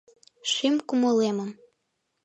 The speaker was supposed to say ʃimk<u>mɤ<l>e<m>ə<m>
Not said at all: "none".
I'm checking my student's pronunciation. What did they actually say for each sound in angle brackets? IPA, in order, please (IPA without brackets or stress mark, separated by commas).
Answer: u, l, m, m